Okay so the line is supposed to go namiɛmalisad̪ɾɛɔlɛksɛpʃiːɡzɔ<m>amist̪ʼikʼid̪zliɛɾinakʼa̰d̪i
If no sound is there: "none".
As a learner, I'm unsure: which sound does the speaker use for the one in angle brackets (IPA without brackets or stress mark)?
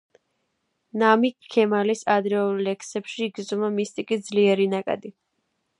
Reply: m